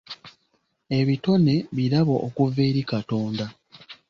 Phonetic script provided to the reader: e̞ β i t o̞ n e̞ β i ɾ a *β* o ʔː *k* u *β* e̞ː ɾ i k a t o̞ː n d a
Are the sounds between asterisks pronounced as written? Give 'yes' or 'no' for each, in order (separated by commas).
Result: yes, yes, no